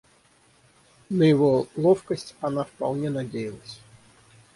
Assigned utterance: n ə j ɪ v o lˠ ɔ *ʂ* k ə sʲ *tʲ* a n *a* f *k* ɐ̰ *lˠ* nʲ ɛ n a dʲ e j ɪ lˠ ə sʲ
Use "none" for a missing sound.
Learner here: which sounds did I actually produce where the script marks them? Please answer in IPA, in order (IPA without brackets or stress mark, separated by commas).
f, tʲ, a, p, lˠ